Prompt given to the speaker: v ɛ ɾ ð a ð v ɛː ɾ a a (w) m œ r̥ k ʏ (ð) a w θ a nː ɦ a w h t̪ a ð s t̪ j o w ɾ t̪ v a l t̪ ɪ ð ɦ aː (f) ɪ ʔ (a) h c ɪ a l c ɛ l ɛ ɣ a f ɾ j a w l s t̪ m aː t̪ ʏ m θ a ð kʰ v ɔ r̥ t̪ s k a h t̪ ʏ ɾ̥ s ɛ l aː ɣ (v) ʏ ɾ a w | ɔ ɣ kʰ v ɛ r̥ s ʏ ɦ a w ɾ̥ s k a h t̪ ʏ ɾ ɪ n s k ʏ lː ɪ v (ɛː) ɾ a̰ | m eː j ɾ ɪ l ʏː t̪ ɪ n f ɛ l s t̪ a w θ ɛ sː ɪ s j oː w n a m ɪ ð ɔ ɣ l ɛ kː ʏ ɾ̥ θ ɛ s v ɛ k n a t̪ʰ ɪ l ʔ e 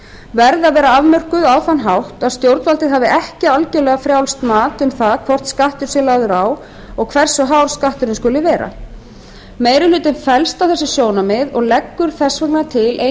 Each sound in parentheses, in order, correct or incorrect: incorrect: v, correct, incorrect: v, incorrect: ɛ, incorrect: ð, correct

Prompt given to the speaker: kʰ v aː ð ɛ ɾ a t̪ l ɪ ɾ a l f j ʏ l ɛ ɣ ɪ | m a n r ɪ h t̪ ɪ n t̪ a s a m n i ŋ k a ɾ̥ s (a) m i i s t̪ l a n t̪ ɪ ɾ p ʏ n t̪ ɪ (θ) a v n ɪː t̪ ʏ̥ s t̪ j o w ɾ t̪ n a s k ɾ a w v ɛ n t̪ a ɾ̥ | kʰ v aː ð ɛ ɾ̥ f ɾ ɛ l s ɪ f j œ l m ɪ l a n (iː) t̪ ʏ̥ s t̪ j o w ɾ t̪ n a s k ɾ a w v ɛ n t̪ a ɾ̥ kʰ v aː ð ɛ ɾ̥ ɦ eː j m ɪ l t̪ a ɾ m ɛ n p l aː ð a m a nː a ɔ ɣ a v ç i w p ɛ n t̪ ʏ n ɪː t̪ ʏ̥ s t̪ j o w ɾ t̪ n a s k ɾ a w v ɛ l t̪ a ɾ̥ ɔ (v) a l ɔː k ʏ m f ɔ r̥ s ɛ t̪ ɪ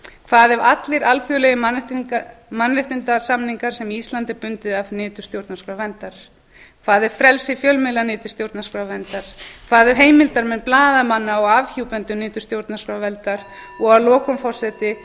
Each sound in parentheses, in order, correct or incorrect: incorrect: ɛ, incorrect: ð, incorrect: ɪː, incorrect: ɣ

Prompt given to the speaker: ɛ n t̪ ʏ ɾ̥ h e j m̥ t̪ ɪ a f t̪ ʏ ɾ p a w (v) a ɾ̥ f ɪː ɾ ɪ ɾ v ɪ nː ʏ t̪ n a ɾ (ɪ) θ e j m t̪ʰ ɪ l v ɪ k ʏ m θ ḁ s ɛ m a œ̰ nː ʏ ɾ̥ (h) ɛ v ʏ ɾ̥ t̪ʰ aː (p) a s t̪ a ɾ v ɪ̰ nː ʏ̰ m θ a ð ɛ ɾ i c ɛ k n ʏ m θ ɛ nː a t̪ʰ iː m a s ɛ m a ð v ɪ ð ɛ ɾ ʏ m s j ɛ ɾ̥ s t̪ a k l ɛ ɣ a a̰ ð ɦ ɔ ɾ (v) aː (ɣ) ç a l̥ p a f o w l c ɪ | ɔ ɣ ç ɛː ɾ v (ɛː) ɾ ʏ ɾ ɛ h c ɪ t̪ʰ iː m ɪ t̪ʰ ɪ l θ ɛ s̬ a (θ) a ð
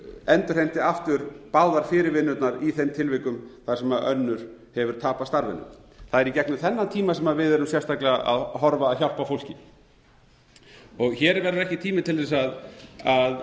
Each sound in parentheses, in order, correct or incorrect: incorrect: ð, incorrect: i, correct, correct, correct, incorrect: ð, incorrect: ɛ, incorrect: ð

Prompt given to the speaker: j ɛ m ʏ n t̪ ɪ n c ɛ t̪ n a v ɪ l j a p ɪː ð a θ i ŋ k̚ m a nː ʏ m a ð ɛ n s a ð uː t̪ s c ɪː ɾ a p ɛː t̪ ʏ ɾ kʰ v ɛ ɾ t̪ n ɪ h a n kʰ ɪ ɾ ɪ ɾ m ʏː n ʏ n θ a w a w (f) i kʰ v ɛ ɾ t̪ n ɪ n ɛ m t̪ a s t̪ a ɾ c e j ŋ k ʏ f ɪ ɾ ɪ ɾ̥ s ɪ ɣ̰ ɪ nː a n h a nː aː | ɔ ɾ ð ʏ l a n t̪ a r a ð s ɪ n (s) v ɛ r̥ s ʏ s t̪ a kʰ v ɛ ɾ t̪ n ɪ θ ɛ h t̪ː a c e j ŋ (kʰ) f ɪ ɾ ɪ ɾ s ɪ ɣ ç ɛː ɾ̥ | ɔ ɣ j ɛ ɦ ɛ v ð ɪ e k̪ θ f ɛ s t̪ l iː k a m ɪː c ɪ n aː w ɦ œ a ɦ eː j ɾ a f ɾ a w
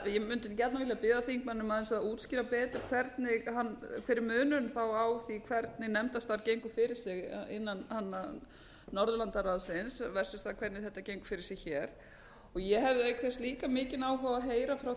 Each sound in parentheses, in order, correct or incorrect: incorrect: θ, correct, incorrect: k

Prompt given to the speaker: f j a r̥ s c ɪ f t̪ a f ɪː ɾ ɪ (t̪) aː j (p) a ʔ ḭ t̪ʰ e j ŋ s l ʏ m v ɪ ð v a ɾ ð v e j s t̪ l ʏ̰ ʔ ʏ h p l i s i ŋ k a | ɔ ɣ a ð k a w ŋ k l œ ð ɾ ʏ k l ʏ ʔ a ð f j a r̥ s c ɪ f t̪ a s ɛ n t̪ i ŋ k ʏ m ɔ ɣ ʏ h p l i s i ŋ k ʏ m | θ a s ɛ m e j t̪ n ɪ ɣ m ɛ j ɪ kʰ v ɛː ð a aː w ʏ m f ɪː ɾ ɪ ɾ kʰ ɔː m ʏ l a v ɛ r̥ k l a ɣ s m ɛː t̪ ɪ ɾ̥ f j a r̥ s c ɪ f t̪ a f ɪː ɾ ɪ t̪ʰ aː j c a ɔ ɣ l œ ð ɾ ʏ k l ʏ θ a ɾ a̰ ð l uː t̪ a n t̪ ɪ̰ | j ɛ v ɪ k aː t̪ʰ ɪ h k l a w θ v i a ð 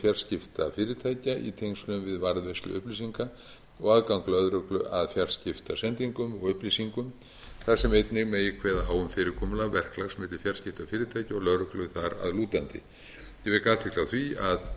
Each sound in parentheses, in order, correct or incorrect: incorrect: t̪ʰ, incorrect: c

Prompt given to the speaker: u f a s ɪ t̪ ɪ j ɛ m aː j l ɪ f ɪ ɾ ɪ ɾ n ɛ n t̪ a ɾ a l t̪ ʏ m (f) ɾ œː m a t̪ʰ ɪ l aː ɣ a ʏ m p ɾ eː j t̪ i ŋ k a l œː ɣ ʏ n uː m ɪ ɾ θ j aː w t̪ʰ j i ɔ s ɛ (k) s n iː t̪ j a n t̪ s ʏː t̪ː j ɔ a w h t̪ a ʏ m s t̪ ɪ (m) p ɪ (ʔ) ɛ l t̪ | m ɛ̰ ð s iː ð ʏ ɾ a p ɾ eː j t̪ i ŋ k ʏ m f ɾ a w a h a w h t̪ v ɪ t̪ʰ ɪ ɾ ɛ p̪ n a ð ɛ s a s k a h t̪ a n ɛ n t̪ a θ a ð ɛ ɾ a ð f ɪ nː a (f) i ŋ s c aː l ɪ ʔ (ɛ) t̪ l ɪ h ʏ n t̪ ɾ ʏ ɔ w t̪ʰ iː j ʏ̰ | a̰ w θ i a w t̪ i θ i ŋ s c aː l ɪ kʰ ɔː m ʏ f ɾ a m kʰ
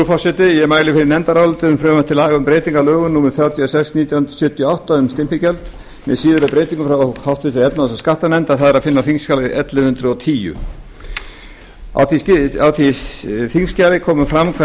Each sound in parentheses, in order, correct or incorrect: correct, correct, correct, incorrect: c, incorrect: θ, correct

